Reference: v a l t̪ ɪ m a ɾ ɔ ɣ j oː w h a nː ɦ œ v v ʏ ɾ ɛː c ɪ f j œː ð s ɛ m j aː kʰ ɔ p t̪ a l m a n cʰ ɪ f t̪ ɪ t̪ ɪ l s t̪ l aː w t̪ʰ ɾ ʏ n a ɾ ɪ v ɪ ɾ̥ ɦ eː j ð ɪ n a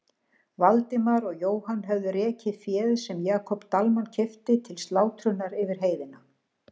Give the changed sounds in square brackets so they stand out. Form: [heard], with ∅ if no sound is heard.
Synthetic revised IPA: v a l t̪ ɪ m a ɾ ɔ ɣ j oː w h a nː ɦ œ v [ð] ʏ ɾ ɛː c ɪ f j [ɛː] ð s ɛ m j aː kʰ ɔ p t̪ a l m a n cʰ ɪ f t̪ ɪ [t̪ʰ] ɪ l s t̪ l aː w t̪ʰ ɾ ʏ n a ɾ ɪ v ɪ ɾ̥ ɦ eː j ð ɪ n a